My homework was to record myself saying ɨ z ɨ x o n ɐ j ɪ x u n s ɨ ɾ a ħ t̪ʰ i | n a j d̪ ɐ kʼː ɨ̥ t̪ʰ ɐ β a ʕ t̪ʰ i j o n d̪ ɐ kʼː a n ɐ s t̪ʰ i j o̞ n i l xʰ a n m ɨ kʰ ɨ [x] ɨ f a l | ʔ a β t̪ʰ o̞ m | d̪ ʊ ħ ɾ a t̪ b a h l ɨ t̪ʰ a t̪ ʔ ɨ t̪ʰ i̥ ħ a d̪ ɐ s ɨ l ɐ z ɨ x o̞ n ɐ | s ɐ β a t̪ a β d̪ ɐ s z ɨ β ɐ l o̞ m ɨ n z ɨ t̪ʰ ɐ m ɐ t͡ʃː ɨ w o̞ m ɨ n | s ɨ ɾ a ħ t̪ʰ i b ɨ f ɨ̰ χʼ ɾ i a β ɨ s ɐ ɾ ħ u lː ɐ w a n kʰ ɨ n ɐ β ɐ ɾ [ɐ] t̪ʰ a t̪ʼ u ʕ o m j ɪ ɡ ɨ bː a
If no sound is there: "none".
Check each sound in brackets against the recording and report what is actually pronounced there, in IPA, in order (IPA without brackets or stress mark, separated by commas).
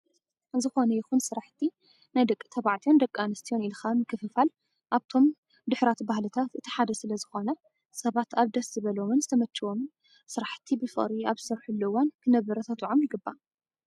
f, ɐ